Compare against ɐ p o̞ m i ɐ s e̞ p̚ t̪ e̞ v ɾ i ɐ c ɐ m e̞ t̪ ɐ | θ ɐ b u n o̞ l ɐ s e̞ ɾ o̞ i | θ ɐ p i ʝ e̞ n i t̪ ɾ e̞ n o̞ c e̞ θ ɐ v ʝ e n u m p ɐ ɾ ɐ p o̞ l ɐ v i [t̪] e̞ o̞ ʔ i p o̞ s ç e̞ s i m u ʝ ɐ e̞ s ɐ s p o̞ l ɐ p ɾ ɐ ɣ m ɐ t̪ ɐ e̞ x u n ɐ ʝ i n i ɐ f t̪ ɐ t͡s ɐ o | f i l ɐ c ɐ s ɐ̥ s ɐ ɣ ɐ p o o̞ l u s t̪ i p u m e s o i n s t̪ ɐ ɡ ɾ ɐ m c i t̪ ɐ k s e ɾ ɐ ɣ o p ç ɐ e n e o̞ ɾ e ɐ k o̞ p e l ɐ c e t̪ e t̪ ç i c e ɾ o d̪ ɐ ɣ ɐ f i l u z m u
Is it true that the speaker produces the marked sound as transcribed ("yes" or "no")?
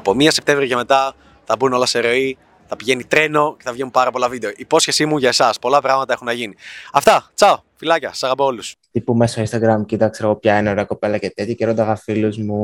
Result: no